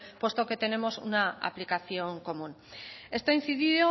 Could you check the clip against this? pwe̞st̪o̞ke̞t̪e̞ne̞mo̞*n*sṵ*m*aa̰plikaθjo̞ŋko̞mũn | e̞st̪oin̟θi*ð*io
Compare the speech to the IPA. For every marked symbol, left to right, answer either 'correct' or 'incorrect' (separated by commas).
incorrect, incorrect, correct